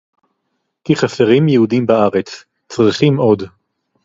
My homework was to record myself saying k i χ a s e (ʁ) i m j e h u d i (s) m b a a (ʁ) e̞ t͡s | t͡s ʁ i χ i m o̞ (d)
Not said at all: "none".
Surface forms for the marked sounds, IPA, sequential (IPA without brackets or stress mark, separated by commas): ʁ, none, ʁ, d